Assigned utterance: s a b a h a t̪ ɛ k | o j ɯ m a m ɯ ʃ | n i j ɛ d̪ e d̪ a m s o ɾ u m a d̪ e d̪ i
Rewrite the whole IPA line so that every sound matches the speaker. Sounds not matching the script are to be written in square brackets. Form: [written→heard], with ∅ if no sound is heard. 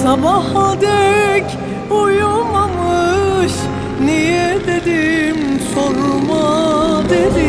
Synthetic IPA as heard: s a b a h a [t̪→d̪] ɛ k | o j [ɯ→u] m a m ɯ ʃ | n i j ɛ d̪ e d̪ [a→i] m s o ɾ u m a d̪ e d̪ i

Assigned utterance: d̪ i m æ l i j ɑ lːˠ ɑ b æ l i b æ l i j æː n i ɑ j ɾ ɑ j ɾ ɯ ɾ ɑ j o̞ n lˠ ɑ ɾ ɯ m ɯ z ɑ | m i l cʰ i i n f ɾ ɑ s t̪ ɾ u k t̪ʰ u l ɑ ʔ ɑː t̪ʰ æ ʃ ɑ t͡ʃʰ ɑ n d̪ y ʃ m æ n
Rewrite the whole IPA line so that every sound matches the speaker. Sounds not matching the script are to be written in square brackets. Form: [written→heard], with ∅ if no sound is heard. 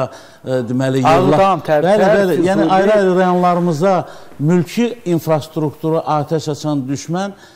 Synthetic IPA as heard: d̪ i m æ l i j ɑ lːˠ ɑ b æ l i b æ l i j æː n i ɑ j ɾ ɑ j ɾ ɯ ɾ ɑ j o̞ n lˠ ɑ ɾ ɯ m ɯ z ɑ | m [i→y] l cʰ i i n f ɾ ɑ s t̪ ɾ u k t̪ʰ u [l→ɾ] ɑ ʔ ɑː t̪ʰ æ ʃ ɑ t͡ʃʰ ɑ n d̪ y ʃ m æ n

